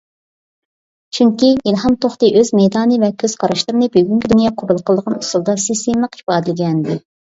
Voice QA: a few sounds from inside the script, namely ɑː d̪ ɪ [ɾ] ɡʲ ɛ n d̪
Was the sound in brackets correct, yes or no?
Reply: no